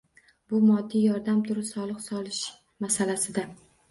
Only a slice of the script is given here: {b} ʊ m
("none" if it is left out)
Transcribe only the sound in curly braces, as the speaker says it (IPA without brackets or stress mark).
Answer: b